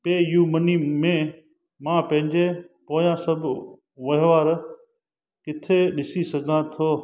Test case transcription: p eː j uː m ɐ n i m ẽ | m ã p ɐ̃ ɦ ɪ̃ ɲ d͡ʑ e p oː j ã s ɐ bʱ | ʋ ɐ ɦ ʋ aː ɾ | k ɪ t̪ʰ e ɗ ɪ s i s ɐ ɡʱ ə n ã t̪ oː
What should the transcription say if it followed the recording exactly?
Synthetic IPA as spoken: p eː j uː m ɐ n i m ẽ | m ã p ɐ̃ ɦ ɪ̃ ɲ d͡ʑ e p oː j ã s ɐ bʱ | ʋ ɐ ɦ ʋ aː ɾ | k ɪ t̪ʰ e ɗ ɪ s i s ɐ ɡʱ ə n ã t̪ʰ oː